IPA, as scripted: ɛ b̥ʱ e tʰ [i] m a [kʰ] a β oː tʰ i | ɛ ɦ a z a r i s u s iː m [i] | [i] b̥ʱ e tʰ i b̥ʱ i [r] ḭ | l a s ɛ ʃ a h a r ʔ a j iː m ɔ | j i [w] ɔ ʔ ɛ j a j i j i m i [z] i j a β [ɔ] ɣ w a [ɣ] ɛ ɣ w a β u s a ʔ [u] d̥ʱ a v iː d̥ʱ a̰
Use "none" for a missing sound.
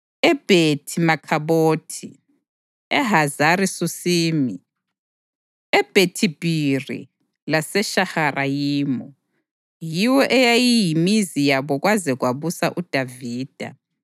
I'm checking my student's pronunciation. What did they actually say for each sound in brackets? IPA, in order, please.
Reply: i, kʰ, i, ɛ, r, w, z, ɔ, z, u

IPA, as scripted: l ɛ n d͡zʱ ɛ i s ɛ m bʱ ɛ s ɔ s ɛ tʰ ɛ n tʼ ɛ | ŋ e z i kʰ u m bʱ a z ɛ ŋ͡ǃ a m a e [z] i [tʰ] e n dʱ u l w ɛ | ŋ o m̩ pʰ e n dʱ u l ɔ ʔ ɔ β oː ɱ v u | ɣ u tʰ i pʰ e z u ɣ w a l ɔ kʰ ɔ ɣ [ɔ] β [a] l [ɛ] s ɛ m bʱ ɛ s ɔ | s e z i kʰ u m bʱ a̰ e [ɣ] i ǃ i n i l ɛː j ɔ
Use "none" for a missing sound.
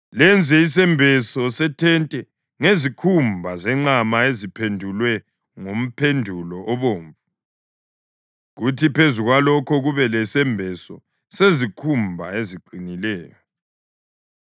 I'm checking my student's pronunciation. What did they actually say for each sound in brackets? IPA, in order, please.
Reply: z, pʰ, u, ɛ, ɛ, z

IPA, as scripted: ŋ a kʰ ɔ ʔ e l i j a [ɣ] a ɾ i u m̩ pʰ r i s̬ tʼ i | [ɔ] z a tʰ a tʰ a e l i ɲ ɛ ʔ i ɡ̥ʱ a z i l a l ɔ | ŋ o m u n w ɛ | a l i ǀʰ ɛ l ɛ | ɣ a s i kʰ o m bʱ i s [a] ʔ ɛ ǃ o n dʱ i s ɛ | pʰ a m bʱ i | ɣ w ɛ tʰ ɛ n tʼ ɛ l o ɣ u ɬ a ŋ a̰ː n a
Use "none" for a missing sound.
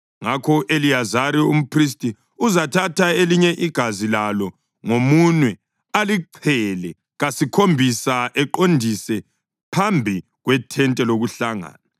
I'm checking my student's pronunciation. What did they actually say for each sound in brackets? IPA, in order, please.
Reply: z, u, a

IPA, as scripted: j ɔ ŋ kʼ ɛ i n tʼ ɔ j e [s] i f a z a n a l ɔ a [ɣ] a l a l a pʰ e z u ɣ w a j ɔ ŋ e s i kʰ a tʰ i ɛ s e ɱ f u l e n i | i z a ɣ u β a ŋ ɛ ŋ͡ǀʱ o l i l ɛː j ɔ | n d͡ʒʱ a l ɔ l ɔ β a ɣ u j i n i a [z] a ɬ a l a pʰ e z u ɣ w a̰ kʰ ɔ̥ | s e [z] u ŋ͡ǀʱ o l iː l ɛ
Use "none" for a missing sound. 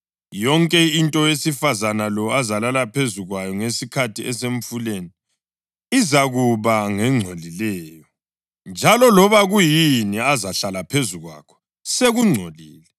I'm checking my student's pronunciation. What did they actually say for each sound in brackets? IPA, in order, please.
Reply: s, z, z, ɣ

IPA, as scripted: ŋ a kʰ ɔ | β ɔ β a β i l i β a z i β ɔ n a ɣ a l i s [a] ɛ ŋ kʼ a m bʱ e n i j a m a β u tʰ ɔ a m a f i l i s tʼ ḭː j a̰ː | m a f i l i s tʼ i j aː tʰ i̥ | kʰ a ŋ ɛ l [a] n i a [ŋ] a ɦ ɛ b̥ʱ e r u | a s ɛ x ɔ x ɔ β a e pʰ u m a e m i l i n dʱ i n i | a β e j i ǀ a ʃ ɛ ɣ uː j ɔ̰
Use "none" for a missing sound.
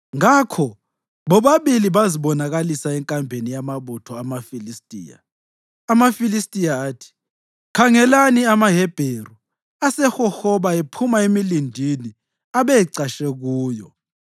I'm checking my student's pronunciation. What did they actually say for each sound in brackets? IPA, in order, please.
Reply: a, a, m

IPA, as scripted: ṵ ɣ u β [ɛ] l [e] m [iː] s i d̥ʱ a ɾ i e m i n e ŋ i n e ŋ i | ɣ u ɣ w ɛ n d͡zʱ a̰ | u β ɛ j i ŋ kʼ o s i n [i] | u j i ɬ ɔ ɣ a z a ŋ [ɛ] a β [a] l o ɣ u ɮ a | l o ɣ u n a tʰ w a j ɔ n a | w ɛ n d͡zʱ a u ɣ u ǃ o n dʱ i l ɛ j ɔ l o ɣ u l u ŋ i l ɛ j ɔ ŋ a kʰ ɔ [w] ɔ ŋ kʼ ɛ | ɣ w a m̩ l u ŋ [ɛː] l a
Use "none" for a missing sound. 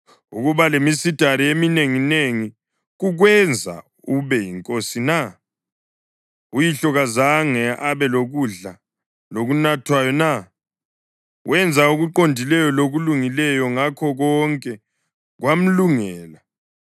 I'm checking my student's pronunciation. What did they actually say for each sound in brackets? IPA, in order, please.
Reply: a, e, i, a, ɛ, ɛ, ɣ, ɛː

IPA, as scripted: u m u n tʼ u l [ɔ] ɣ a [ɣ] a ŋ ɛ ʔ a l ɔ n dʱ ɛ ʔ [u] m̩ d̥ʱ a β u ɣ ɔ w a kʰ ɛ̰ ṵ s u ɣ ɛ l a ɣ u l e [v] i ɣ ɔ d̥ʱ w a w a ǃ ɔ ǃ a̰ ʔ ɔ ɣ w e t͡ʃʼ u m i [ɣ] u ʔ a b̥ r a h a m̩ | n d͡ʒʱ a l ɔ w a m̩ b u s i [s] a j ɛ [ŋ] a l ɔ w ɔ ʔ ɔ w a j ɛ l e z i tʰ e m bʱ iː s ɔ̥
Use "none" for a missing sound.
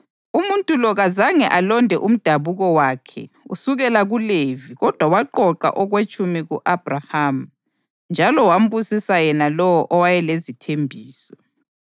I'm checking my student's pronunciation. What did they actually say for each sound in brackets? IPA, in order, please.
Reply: ɔ, z, u, v, ɣ, s, n

